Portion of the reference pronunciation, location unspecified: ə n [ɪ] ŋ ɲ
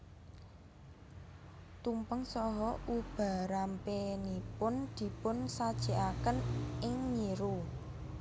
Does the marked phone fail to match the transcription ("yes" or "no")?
no